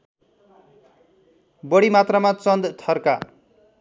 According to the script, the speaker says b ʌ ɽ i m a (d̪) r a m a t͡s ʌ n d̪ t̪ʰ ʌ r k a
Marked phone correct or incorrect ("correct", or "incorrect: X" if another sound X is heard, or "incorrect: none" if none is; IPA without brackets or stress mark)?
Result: incorrect: t̪